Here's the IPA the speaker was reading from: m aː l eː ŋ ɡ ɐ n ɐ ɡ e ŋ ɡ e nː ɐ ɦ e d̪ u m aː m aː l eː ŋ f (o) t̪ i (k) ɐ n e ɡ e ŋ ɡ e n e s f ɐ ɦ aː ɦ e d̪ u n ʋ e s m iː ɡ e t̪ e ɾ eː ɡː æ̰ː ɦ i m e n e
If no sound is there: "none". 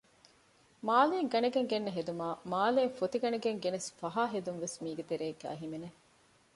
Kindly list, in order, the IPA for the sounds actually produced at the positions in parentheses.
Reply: o, ɡ

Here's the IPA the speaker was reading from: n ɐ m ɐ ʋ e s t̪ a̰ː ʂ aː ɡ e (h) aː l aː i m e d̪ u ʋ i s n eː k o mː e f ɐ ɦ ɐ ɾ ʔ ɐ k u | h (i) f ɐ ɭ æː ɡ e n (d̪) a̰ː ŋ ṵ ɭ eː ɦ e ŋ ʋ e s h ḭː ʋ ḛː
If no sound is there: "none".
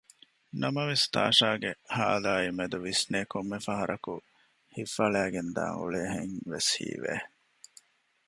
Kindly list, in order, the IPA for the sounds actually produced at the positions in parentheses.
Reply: h, i, d̪

